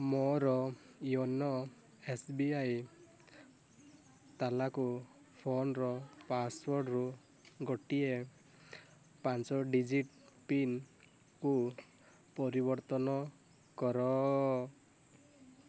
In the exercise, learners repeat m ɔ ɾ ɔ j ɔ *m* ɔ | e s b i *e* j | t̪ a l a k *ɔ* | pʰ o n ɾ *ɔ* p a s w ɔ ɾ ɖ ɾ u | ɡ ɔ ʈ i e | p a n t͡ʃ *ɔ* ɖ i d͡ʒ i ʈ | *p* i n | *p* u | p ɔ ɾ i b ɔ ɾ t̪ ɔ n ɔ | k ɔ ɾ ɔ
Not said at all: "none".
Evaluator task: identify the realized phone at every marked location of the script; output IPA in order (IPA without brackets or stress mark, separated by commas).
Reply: n, a, u, ɔ, ɔ, p, k